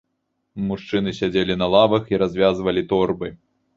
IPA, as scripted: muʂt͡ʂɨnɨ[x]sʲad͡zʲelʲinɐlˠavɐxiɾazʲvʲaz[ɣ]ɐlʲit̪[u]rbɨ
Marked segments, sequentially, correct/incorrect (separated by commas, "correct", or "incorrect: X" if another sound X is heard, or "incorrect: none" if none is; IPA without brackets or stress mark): incorrect: none, incorrect: v, incorrect: ɔ